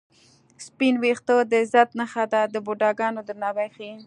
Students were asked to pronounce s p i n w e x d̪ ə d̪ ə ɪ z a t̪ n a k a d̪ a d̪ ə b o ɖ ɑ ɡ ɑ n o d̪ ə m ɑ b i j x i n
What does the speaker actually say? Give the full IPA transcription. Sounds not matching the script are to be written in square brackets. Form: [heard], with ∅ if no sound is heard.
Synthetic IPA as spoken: s p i n w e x [t̪] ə d̪ ə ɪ z a t̪ n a [x] a d̪ a d̪ ə b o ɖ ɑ ɡ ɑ n o d̪ ə [n] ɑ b [a] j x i n